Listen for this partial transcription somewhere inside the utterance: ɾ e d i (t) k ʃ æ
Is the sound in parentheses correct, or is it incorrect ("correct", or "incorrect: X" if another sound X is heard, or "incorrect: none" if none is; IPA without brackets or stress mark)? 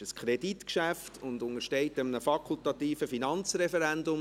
correct